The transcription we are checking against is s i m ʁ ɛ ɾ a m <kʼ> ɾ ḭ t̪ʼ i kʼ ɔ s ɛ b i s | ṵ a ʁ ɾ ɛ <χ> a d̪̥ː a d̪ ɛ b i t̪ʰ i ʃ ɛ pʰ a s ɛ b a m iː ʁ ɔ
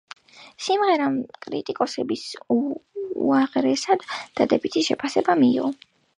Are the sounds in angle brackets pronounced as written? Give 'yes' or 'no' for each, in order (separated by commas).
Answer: yes, no